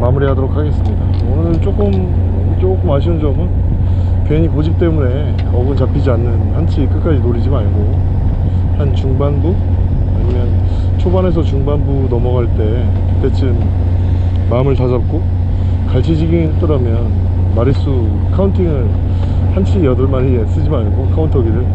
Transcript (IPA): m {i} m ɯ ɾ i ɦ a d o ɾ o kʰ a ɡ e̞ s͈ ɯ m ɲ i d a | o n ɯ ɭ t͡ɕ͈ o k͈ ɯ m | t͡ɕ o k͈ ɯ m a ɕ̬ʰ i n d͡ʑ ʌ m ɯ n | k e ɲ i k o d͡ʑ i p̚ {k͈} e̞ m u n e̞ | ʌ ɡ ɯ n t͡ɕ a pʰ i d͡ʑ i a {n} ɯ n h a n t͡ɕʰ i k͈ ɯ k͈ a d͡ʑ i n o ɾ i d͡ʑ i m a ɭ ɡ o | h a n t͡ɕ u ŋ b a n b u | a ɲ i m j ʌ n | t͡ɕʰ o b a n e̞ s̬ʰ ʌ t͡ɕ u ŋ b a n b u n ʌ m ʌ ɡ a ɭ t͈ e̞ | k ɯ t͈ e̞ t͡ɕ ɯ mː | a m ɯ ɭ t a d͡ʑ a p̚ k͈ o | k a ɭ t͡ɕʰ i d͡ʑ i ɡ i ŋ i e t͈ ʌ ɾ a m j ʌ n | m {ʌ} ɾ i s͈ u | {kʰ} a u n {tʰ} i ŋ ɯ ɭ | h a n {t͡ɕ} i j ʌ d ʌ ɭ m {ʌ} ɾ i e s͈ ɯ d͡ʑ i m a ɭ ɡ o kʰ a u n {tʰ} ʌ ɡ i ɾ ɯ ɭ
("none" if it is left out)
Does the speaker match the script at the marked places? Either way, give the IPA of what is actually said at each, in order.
a, t͈, nː, a, kʰ, tʰ, t͡ɕʰ, a, tʰ

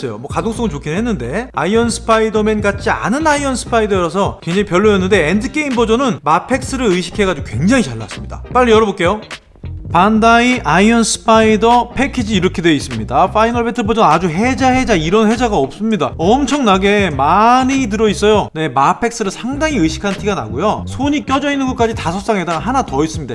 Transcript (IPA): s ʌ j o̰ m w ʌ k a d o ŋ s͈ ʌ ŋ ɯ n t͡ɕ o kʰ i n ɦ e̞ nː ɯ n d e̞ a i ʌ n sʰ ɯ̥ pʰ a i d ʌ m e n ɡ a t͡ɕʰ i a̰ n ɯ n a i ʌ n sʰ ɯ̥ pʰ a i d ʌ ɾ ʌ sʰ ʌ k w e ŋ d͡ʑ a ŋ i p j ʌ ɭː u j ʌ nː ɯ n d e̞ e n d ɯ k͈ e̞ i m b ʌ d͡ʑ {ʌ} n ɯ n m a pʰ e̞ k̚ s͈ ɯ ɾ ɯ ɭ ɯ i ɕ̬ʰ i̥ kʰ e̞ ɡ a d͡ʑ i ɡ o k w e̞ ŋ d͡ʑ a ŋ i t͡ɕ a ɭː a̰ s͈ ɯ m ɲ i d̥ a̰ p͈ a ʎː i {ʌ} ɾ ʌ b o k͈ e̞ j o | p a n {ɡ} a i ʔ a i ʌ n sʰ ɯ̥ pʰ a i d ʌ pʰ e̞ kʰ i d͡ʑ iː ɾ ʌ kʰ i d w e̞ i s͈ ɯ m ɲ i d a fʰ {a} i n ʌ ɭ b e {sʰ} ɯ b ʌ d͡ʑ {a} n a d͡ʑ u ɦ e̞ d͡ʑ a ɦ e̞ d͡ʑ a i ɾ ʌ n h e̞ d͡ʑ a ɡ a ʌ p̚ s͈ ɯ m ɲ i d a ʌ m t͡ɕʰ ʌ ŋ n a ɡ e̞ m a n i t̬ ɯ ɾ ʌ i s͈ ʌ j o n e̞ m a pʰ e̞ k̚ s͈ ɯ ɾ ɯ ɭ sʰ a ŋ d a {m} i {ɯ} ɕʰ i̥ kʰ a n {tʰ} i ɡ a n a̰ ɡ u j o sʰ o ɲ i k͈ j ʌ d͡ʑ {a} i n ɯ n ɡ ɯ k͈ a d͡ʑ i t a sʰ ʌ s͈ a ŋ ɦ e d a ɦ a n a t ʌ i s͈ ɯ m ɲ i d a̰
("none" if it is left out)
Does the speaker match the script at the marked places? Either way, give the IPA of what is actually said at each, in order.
ʌ, ʌ, d, a, tʰ, ʌ, ŋ, ɯ, tʰ, ʌ

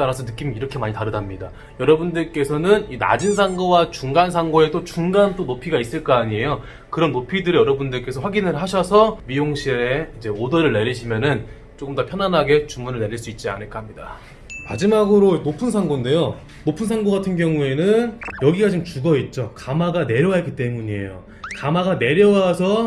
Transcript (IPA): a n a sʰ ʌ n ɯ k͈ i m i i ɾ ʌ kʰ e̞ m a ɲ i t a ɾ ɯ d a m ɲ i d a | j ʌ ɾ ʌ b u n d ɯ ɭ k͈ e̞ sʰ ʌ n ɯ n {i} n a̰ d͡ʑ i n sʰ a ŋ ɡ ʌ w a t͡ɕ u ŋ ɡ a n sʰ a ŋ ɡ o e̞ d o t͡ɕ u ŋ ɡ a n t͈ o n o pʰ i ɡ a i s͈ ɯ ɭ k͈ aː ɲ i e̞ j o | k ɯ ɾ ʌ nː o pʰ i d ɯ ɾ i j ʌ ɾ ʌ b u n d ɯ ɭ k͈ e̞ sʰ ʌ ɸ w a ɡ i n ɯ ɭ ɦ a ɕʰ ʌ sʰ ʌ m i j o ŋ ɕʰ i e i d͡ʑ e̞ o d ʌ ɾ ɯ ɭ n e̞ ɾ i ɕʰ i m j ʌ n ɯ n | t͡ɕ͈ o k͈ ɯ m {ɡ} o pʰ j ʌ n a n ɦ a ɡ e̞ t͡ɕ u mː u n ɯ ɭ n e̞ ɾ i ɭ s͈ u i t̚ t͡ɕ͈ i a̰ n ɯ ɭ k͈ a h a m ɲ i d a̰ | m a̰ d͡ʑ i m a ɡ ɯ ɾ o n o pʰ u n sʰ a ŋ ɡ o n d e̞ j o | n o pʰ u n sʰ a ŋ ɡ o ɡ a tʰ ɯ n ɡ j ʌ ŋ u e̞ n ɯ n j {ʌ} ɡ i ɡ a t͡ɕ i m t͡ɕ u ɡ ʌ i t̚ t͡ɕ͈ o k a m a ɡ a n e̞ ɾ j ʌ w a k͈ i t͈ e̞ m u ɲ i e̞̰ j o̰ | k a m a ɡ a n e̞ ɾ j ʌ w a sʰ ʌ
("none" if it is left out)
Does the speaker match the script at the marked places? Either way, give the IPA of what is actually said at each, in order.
i, d, ʌ

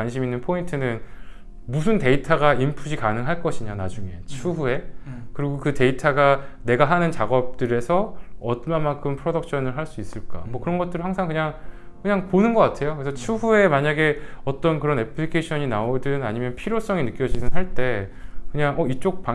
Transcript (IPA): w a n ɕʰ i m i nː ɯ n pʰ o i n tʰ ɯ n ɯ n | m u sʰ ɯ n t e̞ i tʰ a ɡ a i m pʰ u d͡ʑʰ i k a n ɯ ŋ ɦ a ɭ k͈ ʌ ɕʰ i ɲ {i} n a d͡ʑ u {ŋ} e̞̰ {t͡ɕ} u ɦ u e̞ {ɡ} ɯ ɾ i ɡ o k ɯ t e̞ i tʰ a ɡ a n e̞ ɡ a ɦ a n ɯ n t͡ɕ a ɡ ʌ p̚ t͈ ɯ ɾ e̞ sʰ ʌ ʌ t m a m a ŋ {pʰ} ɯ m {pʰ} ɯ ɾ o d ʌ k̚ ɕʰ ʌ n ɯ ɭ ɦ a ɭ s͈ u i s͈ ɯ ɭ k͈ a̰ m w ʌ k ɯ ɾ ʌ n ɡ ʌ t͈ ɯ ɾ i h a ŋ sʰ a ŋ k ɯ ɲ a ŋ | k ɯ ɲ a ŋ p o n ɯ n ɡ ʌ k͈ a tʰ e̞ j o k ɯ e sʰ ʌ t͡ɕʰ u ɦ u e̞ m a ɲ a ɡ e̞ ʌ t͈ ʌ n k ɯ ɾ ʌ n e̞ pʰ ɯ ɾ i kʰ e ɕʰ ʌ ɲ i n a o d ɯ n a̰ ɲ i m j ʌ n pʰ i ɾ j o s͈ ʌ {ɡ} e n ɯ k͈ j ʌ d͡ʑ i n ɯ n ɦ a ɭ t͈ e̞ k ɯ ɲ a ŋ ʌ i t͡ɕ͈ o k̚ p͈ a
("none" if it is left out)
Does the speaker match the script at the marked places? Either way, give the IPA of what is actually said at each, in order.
a, ŋ, t͡ɕʰ, k, kʰ, pʰ, ŋ

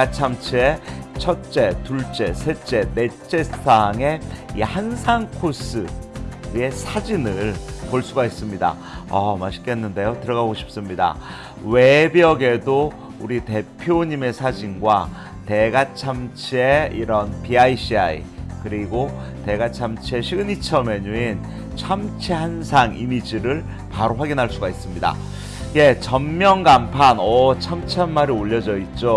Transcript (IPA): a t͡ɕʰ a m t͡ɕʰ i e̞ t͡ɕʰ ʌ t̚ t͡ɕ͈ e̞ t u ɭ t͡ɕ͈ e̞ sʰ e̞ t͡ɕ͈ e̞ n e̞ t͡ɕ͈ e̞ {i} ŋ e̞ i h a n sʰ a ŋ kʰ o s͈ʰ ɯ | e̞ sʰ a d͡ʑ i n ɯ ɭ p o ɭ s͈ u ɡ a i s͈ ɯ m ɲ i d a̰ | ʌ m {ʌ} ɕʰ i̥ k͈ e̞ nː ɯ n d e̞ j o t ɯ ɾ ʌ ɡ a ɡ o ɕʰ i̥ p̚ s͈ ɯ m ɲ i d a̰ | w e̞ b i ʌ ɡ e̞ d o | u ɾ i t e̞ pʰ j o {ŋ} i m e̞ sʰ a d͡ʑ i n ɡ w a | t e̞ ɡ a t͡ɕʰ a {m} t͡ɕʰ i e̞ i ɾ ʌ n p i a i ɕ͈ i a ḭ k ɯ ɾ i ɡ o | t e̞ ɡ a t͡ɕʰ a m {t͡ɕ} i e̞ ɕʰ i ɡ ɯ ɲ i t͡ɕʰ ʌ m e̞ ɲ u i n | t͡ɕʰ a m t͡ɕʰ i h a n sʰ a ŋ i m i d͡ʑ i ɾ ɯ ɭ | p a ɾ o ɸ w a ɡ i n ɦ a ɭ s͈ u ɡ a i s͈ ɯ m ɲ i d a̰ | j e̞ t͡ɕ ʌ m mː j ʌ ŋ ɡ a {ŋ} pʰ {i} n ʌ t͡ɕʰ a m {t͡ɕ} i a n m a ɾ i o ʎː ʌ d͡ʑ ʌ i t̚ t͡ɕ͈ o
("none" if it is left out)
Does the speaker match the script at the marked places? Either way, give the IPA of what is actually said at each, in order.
a, a, ɲ, m, t͡ɕʰ, m, a, t͡ɕʰ

